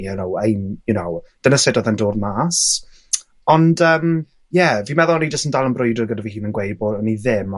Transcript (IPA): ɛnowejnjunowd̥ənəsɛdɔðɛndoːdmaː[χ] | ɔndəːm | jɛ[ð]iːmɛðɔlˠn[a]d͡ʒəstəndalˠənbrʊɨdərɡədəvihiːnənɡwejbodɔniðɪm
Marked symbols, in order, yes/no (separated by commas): no, no, no